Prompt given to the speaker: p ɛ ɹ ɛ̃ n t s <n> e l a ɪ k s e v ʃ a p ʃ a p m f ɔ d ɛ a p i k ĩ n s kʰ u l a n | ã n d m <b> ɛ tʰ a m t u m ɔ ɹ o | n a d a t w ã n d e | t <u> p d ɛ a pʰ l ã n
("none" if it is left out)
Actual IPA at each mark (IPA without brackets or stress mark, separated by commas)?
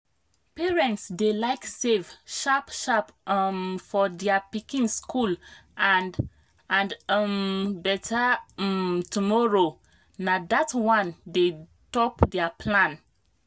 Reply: d, b, ɔ